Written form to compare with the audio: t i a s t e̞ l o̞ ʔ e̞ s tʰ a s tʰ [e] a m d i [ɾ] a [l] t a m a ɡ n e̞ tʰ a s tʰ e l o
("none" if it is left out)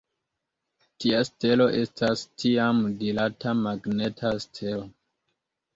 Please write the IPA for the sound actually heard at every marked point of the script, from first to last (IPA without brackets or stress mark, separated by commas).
i, l, none